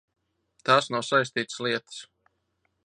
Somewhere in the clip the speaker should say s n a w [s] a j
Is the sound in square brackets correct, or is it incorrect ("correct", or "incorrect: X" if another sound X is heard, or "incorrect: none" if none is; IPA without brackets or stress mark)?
correct